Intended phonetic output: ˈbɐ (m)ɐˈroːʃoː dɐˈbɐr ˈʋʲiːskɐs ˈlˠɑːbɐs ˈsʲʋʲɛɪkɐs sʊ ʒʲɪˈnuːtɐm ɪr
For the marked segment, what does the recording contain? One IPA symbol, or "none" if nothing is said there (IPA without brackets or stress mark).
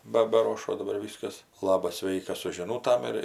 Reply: b